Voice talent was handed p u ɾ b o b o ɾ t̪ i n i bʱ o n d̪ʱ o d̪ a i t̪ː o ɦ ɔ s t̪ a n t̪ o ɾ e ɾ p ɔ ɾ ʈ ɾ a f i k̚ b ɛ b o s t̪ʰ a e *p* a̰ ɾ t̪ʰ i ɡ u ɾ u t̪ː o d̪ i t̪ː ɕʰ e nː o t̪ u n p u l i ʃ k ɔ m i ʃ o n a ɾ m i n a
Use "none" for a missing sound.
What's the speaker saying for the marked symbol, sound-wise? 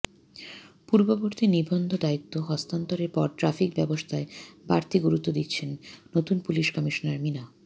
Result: b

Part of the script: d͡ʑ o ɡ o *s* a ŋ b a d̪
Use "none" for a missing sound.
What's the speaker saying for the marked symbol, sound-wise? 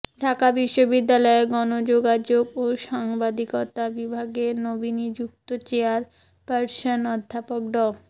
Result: ʃ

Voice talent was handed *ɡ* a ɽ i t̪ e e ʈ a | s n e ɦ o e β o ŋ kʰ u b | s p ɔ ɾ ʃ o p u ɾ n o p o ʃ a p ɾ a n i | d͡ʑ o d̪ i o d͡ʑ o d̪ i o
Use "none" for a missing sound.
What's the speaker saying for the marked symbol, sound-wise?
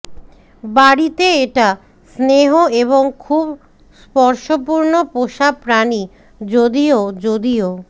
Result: b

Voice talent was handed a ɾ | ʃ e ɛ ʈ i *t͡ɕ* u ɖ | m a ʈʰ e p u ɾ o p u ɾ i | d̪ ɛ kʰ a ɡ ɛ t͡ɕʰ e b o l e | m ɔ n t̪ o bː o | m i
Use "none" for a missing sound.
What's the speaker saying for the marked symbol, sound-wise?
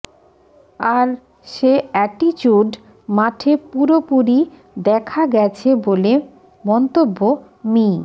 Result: t͡ɕ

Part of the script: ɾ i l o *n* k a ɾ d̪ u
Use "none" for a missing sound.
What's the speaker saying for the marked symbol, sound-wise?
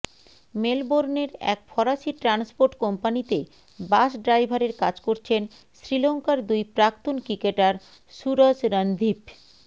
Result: ŋ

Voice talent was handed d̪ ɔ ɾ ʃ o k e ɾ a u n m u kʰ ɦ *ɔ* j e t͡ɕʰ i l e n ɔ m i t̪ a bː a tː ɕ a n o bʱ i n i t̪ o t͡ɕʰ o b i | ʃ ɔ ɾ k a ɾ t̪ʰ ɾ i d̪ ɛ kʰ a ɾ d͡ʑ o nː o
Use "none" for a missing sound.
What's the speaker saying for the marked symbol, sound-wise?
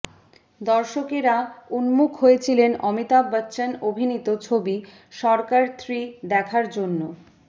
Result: o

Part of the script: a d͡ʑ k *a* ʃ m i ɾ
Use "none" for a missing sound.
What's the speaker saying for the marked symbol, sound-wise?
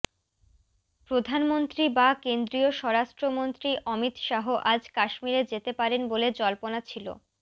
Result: a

